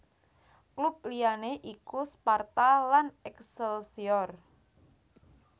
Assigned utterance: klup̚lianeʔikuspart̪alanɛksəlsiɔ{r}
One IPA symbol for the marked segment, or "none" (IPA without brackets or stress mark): r